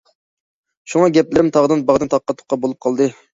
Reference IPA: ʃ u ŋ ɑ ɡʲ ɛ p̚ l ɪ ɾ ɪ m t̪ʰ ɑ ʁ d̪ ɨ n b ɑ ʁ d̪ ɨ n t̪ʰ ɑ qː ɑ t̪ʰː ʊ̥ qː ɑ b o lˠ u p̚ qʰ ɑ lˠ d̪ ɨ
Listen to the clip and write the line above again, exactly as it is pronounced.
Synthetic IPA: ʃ u ŋ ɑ ɡʲ ɛ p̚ l ɪ ɾ ɪ m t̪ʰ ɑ ʁ d̪ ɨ n b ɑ ʁ d̪ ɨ n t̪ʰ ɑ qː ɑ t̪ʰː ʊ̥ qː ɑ b o lˠ u p̚ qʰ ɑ lˠ d̪ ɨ